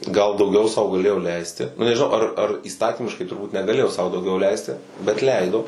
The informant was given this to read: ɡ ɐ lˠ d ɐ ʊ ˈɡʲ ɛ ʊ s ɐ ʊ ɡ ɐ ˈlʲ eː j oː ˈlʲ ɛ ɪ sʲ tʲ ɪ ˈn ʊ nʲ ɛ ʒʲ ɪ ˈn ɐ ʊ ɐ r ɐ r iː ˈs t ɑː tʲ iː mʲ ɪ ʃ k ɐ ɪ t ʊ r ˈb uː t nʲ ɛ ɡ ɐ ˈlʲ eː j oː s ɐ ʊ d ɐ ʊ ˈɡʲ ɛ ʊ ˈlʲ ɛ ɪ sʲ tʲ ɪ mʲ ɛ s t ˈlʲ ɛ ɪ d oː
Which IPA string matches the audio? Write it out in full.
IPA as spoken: ɡ ɐ lˠ d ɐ ʊ ˈɡʲ ɛ ʊ s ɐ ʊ ɡ ɐ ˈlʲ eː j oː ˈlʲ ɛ ɪ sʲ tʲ ɪ ˈn ʊ nʲ ɛ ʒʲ ɪ ˈn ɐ ʊ ɐ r ɐ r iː ˈs t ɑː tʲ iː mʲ ɪ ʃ k ɐ ɪ t ʊ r ˈb uː t nʲ ɛ ɡ ɐ ˈlʲ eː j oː s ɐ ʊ d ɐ ʊ ˈɡʲ ɛ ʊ ˈlʲ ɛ ɪ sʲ tʲ ɪ bʲ ɛ t ˈlʲ ɛ ɪ d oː